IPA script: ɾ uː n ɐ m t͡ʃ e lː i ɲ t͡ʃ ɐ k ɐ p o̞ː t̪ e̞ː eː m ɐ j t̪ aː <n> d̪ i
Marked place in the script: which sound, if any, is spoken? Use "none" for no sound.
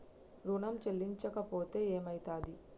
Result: none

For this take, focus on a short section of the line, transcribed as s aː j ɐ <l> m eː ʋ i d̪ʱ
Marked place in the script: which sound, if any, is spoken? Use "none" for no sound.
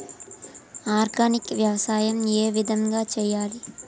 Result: none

